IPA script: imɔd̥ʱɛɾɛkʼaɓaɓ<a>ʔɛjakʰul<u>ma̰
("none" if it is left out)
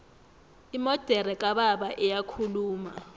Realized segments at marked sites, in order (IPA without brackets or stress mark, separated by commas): a, uː